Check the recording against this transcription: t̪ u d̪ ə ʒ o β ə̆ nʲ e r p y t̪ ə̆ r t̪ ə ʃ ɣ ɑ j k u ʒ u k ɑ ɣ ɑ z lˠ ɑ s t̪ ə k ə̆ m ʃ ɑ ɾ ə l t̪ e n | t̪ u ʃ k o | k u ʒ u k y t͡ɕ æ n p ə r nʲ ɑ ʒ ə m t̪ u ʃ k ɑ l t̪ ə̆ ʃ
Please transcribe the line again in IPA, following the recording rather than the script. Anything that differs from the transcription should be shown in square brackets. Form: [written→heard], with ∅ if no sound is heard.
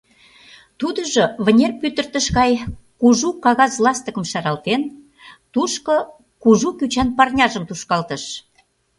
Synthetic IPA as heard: t̪ u d̪ ə ʒ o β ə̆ nʲ e r p y t̪ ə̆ r t̪ ə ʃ ɣ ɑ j k u ʒ u k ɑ ɣ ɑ z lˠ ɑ s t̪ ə k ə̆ m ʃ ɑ ɾ [ə→ɑ] l t̪ e n | t̪ u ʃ k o | k u ʒ u k y t͡ɕ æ n p [ə→ɑ] r nʲ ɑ ʒ ə m t̪ u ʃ k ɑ l t̪ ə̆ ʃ